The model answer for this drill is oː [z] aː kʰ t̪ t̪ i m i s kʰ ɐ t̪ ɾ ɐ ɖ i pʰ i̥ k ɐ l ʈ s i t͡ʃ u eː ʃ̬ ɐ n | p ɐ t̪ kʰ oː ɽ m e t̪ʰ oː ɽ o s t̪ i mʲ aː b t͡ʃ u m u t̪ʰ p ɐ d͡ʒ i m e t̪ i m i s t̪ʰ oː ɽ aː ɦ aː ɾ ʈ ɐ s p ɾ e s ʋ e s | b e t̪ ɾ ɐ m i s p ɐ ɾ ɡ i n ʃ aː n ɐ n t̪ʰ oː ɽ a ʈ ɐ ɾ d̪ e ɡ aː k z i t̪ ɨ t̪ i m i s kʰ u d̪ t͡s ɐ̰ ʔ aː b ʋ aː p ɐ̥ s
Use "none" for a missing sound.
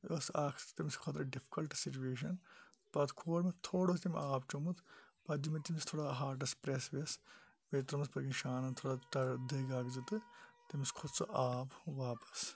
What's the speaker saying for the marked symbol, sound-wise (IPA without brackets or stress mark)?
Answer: s